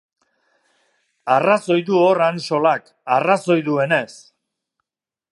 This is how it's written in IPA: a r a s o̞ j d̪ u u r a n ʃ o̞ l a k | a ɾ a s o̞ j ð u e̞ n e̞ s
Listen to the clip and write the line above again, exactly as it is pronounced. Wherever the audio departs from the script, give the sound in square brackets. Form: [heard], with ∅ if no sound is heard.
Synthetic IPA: a r a s o̞ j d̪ u [o] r a n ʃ o̞ l a k | a [r] a s o̞ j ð u e̞ n e̞ s